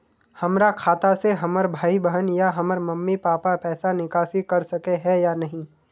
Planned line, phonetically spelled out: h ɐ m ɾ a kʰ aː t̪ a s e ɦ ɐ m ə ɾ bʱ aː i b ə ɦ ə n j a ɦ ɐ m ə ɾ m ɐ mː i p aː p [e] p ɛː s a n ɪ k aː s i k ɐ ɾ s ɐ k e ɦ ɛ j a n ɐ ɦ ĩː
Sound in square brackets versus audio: incorrect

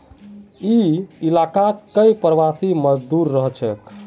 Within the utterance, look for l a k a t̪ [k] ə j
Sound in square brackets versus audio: correct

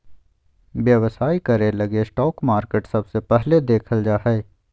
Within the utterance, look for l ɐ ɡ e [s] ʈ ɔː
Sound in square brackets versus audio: correct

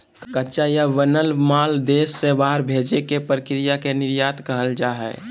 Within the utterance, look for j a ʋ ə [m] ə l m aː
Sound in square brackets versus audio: incorrect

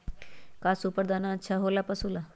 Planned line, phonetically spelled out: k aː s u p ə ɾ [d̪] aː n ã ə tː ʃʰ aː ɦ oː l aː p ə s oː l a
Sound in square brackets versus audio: correct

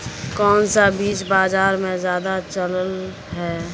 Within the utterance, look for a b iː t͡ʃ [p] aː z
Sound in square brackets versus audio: incorrect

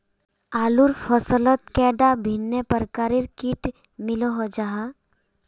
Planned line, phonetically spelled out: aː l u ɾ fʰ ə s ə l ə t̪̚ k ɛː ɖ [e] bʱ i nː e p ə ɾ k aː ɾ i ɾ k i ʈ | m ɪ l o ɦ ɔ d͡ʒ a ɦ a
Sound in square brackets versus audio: incorrect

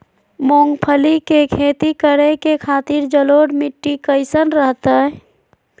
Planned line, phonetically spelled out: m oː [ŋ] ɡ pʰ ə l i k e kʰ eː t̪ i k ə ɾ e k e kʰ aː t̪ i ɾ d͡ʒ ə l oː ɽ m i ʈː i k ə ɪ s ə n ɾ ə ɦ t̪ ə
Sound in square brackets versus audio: correct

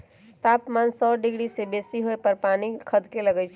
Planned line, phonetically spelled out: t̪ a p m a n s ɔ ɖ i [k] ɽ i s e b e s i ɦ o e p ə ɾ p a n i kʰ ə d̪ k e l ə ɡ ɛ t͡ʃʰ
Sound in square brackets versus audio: incorrect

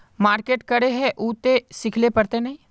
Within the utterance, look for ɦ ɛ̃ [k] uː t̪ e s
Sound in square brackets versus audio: incorrect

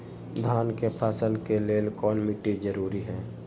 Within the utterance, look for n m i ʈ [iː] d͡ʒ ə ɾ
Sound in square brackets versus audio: incorrect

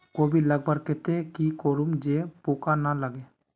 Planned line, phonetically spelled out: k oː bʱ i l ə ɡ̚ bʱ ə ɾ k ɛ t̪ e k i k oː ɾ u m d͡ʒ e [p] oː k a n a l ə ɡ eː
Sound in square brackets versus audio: correct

